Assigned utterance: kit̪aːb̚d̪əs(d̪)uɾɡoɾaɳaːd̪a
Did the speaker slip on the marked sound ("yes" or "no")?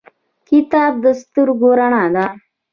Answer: yes